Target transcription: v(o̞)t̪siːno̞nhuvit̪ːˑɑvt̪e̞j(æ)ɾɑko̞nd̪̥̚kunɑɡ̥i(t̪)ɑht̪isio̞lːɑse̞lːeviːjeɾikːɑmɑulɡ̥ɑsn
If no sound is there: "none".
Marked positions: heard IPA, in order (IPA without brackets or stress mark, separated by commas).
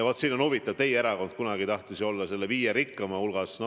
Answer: o̞, e, t̪